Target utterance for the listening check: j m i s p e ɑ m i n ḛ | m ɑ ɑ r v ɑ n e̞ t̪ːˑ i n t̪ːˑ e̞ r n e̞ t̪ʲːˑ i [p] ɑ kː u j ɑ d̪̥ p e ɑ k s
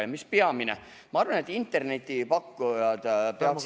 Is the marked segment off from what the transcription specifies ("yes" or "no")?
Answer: no